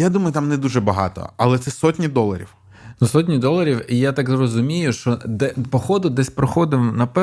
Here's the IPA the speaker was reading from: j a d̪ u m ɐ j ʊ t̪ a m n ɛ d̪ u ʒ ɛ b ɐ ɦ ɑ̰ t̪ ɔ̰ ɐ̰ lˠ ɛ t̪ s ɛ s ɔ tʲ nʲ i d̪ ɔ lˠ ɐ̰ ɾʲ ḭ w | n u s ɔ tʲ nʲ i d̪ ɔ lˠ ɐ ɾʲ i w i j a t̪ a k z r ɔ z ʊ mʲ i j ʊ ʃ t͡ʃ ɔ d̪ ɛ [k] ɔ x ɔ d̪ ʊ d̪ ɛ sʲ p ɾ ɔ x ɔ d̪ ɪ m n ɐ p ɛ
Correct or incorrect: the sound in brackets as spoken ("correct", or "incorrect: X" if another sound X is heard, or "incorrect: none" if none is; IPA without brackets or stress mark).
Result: incorrect: p